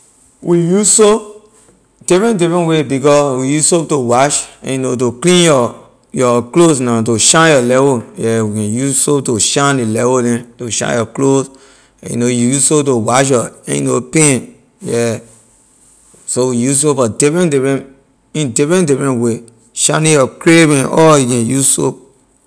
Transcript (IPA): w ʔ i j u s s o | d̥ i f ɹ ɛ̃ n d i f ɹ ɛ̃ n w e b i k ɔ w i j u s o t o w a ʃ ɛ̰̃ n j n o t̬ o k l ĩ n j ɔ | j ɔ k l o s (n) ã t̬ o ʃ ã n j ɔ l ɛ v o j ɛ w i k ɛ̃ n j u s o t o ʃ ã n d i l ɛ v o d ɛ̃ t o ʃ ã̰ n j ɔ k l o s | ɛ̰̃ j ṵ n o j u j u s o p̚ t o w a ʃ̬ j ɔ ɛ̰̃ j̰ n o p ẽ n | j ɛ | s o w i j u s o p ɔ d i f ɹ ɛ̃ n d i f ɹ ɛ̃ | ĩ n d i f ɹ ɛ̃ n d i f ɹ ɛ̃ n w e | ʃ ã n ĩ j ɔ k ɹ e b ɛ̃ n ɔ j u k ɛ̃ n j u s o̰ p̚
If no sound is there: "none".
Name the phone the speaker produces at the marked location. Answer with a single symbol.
n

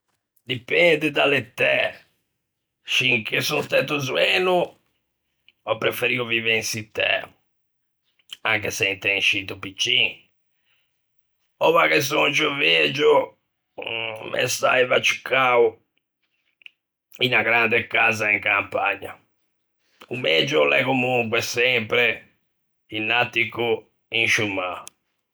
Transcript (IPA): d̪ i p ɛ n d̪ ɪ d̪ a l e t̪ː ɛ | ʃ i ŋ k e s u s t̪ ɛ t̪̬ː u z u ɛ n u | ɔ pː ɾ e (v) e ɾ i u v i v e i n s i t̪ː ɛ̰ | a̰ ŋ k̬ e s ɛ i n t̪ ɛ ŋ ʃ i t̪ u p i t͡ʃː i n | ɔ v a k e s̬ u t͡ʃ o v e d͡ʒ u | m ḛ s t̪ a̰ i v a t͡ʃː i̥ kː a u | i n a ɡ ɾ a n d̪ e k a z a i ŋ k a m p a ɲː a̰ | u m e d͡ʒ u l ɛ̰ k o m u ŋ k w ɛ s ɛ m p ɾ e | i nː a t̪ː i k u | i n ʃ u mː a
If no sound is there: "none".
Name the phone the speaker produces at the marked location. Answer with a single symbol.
f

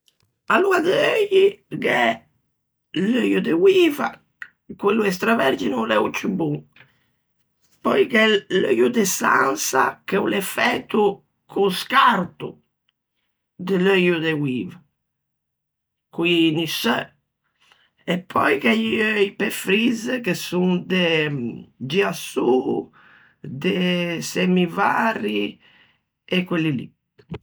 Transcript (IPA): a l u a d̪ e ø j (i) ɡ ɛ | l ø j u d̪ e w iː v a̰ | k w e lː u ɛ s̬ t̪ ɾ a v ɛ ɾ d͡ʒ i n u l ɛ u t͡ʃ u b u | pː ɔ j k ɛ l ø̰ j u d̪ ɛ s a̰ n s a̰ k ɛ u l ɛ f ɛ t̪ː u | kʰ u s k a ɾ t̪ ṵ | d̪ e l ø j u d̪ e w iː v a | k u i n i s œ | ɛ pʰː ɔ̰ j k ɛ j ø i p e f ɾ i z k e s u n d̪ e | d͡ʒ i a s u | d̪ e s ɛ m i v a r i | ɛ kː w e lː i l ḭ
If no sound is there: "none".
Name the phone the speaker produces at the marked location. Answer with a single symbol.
i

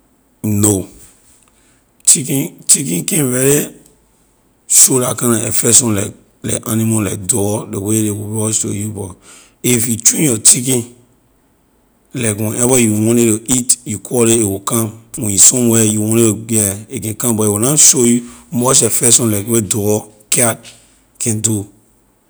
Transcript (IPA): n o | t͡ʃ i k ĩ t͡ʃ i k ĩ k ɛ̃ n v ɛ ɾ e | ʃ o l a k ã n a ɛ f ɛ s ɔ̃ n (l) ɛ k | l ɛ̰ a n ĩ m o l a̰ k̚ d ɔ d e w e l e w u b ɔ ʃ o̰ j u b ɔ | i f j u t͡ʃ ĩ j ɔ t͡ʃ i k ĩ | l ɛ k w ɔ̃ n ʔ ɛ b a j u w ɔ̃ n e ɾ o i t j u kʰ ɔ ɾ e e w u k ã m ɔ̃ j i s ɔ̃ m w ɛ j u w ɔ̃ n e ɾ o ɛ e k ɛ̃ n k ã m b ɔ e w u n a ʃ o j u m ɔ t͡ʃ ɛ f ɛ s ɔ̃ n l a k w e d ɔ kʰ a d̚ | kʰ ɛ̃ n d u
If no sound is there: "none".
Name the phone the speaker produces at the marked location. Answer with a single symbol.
l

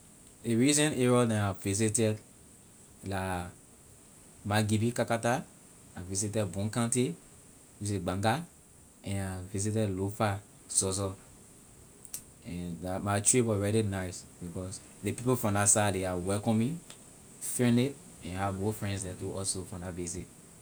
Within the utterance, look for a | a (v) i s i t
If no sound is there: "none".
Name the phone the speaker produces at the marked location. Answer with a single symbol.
v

